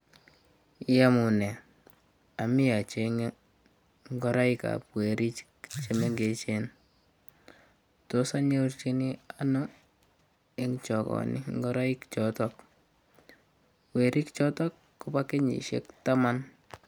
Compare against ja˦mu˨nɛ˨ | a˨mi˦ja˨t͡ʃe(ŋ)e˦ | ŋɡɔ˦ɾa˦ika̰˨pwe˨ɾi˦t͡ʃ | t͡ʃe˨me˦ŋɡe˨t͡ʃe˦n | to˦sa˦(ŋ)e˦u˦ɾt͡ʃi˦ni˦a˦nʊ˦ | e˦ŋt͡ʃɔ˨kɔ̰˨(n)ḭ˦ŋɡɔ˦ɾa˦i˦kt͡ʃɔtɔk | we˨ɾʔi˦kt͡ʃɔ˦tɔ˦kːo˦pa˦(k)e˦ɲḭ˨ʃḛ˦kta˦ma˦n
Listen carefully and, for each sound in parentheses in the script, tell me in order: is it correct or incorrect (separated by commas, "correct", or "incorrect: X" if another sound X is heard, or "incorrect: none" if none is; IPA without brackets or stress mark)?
correct, incorrect: ɲ, correct, correct